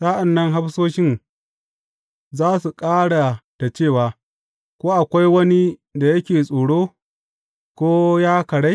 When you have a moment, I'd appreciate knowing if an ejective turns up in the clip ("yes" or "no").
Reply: yes